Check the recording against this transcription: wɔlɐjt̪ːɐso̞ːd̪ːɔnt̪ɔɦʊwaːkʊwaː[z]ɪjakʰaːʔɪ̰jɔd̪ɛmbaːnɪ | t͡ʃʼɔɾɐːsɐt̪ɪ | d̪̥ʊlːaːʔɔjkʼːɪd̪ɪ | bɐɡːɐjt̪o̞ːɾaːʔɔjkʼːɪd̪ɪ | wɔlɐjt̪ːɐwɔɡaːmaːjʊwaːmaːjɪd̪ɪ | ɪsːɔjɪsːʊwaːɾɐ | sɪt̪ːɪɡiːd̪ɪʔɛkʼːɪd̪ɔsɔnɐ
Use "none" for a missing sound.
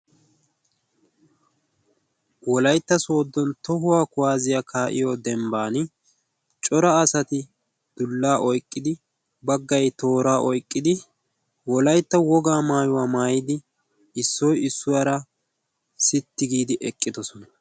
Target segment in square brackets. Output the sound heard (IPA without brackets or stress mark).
z